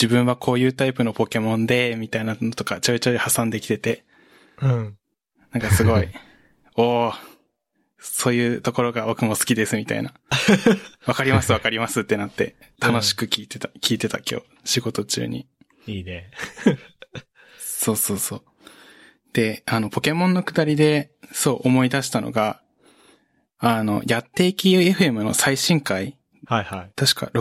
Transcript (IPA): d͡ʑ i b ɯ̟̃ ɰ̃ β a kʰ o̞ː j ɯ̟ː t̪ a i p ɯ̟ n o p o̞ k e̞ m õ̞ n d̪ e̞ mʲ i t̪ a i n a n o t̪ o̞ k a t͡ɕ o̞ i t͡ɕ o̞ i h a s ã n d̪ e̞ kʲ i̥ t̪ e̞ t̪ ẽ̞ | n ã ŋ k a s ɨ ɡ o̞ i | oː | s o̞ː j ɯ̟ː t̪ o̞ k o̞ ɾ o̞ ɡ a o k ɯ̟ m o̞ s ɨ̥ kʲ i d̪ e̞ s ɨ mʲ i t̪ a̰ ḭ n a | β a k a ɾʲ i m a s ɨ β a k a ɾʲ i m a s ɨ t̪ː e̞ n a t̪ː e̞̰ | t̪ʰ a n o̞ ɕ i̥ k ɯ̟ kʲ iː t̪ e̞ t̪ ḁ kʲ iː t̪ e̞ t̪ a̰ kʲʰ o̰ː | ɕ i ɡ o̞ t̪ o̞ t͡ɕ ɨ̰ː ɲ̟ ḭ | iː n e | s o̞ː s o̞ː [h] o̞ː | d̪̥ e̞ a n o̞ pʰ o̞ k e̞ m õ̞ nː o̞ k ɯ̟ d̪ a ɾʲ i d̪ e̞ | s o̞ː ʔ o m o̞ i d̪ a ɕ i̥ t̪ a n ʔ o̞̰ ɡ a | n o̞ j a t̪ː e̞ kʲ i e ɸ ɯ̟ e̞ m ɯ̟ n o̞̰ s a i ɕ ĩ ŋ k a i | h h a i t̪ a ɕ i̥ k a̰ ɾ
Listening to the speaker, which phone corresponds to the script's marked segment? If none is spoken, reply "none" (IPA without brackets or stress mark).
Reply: s